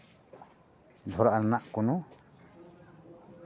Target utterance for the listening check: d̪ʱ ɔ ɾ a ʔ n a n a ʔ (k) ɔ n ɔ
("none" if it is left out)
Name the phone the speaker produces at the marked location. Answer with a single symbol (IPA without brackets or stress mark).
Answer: k